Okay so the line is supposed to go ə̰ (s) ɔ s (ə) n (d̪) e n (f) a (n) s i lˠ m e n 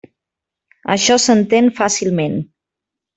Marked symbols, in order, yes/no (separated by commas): no, yes, no, yes, no